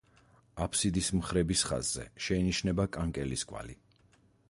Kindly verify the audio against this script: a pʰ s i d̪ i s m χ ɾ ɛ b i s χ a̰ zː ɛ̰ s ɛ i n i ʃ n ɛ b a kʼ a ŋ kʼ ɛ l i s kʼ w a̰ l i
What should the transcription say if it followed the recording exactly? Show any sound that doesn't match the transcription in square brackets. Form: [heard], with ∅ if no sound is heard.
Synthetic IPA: a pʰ s i d̪ i s m χ ɾ ɛ b i s χ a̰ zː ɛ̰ [ʃ] ɛ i n i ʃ n ɛ b a kʼ a ŋ kʼ ɛ l i s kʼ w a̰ l i